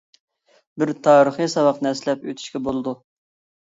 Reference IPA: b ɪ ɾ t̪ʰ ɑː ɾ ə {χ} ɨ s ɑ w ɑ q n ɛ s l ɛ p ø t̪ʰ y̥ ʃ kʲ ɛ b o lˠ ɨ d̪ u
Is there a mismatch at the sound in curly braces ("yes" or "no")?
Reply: no